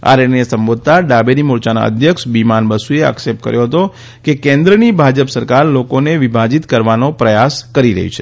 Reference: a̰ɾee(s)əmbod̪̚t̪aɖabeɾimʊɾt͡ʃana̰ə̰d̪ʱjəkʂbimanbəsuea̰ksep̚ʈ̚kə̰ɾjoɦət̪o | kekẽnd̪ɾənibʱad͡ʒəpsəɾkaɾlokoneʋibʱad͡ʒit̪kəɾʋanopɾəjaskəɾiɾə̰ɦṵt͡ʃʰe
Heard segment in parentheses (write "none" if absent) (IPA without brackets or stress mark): s